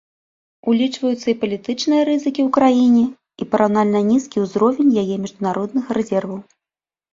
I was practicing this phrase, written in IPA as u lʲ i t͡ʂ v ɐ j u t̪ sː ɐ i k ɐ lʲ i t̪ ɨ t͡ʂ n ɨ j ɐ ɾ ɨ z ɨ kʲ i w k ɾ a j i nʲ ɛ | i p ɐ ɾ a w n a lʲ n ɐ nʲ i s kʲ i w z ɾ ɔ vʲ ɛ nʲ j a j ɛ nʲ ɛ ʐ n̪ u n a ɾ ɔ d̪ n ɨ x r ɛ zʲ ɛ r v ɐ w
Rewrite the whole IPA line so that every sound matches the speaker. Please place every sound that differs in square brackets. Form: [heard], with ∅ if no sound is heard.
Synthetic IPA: u lʲ i t͡ʂ v ɐ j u t̪ sː ɐ i [p] ɐ lʲ i t̪ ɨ t͡ʂ n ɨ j ɐ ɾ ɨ z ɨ kʲ i w k ɾ a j i nʲ ɛ | i p ɐ ɾ a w n a lʲ n ɐ nʲ i s kʲ i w z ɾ ɔ vʲ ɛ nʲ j a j ɛ [mʲ] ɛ ʐ [d̪] u n a ɾ ɔ d̪ n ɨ x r ɛ zʲ ɛ r v ɐ w

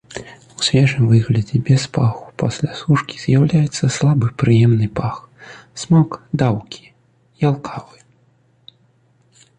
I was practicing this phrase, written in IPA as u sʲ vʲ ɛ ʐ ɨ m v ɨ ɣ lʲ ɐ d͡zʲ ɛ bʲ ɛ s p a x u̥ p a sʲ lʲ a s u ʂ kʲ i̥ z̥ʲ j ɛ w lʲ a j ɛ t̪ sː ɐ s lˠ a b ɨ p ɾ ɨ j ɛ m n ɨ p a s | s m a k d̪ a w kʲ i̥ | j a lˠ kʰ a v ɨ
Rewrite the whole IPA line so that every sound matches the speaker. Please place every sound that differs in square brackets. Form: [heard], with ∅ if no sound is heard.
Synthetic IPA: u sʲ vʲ ɛ ʐ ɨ m v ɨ ɣ lʲ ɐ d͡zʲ ɛ bʲ ɛ s p a x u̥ p a sʲ lʲ a s u ʂ kʲ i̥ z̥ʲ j [a] w lʲ a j ɛ t̪ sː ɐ s lˠ a b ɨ p ɾ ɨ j ɛ m n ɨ p a [x] | s m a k d̪ a w kʲ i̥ | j a lˠ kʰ a v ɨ

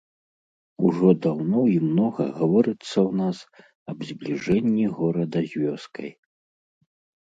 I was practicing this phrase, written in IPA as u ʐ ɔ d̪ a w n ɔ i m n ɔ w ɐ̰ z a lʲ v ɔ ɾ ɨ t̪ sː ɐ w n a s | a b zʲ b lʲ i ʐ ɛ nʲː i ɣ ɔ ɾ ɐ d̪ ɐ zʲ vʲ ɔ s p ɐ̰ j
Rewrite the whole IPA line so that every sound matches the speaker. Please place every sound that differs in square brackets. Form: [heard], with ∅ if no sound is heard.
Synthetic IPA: u ʐ ɔ d̪ a w n ɔ i m n ɔ [ɣ] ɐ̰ [ɣ] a [∅] v ɔ ɾ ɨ t̪ sː ɐ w n a s | [ɐ] b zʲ b lʲ i ʐ ɛ nʲː i ɣ ɔ ɾ ɐ d̪ ɐ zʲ vʲ ɔ s [k] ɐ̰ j

